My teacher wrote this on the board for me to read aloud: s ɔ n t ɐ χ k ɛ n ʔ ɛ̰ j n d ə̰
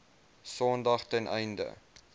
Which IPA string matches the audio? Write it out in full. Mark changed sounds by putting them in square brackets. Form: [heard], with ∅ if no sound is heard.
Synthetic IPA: s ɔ n [d] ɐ χ [t] ɛ n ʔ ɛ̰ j n d ə̰